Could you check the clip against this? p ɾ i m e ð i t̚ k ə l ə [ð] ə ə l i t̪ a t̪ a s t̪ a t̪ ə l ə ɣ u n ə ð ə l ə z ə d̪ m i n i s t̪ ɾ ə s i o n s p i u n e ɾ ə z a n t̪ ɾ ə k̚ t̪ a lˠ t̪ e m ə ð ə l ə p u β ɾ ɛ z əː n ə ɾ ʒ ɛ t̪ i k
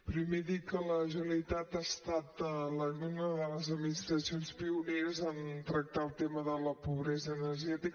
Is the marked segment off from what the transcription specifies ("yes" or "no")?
yes